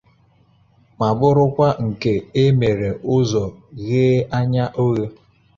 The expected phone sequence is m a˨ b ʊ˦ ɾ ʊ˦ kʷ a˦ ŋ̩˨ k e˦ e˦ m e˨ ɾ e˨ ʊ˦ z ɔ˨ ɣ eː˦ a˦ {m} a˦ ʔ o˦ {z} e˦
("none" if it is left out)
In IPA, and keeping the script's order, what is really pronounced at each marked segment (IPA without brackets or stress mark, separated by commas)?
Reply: ɲ, ɣ